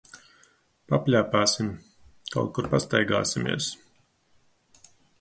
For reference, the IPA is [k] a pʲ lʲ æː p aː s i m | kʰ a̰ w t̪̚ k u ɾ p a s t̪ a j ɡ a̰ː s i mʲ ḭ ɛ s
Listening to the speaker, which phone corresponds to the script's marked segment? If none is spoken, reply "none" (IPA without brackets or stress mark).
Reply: p